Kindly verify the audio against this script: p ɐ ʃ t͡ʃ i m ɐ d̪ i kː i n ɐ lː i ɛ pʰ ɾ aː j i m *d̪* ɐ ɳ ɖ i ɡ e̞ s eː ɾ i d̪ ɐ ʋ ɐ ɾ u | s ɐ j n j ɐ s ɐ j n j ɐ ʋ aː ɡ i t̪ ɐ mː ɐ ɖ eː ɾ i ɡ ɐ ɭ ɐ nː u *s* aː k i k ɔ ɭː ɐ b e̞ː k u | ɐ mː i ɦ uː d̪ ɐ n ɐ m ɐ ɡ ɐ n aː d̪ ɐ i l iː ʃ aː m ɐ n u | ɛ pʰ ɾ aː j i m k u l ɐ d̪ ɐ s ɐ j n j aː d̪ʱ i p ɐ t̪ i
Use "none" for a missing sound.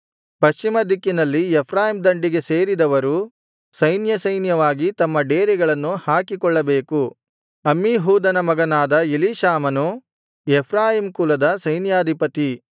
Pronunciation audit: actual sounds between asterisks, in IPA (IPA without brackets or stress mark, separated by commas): d̪, h